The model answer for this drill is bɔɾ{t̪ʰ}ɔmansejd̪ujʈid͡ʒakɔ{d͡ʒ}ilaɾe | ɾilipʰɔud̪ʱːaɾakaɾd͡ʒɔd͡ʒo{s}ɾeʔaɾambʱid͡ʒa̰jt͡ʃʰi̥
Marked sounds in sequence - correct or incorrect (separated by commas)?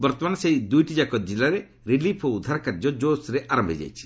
incorrect, correct, correct